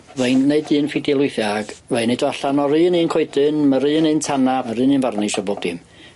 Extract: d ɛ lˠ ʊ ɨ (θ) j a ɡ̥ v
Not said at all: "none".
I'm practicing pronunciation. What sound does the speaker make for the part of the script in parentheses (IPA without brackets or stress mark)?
θ